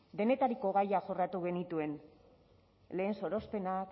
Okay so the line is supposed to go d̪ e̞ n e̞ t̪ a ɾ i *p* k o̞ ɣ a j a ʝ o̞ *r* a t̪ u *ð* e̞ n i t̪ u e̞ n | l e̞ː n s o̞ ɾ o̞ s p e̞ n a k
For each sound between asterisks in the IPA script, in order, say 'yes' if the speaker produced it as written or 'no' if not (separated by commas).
no, yes, no